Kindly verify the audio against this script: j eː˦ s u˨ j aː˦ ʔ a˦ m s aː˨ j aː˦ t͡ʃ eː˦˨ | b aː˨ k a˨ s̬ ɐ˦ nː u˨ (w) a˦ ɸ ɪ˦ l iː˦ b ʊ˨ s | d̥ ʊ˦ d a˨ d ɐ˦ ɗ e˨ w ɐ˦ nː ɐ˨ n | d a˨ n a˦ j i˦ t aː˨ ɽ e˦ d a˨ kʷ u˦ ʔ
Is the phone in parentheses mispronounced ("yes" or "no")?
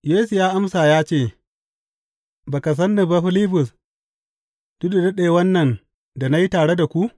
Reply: yes